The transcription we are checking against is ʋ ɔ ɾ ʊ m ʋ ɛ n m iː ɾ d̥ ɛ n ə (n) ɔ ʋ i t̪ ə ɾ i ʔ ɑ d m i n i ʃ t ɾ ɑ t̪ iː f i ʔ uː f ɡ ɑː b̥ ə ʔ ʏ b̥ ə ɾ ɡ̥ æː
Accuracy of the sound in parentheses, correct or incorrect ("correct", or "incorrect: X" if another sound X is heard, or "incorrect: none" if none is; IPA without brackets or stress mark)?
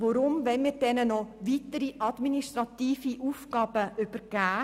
correct